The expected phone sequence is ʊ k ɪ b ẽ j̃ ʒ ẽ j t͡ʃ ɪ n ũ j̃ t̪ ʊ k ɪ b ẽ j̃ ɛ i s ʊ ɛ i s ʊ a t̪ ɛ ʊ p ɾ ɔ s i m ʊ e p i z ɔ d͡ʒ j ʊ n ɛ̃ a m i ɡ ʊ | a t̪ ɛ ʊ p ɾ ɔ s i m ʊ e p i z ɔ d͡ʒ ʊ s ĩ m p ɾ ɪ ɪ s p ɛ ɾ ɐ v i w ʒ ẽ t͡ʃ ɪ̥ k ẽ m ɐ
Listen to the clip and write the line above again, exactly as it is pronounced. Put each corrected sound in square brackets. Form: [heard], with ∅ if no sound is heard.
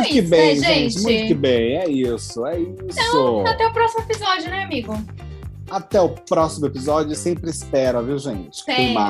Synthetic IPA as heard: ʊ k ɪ b ẽ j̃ ʒ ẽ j t͡ʃ ɪ [m] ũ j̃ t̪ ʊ k ɪ b ẽ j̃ ɛ i s ʊ ɛ i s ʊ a t̪ ɛ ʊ p ɾ ɔ s i m ʊ e p i z ɔ d͡ʒ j ʊ n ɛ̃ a m i ɡ ʊ | a t̪ ɛ ʊ p ɾ ɔ s i m ʊ e p i z ɔ d͡ʒ ʊ s [ẽ] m p ɾ ɪ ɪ s p ɛ ɾ ɐ v i w ʒ ẽ t͡ʃ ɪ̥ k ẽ m [a]